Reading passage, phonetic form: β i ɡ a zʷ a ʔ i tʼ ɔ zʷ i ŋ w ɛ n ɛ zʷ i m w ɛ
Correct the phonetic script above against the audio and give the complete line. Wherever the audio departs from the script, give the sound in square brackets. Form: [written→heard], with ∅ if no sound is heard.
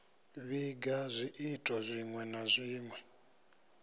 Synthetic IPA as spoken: β i ɡ a zʷ [a→i] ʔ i tʼ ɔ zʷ i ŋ w ɛ n [ɛ→a] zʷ [i→iː] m w ɛ